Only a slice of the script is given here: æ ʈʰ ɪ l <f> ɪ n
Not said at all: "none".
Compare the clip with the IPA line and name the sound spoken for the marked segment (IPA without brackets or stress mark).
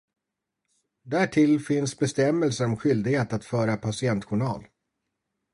f